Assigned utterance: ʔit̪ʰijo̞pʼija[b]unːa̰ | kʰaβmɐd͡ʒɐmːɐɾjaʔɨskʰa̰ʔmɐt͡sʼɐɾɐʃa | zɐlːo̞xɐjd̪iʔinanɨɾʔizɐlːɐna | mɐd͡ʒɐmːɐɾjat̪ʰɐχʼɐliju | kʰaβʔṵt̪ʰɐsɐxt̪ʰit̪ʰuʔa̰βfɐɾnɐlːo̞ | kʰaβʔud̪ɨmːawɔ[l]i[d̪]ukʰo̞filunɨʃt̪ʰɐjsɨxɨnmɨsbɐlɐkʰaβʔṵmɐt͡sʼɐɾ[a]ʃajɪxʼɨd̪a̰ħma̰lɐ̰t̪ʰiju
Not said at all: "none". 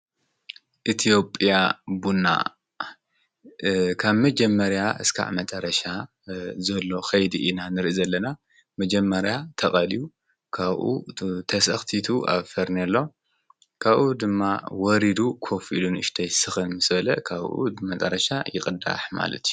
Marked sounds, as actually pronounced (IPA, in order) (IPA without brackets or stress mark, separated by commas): b, ɾ, d̪, ɐ